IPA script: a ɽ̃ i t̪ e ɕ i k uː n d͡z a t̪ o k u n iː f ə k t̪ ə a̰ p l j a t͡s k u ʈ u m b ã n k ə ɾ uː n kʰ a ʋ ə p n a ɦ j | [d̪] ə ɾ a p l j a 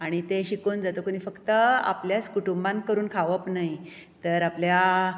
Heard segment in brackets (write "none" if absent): t̪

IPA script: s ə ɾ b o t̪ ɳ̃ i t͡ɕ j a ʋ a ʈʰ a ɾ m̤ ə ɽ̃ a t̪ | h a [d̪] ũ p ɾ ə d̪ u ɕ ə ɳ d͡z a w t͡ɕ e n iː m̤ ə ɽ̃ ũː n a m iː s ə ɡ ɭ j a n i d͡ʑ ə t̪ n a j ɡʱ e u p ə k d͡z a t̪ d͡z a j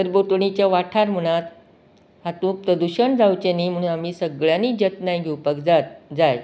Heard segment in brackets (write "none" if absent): t̪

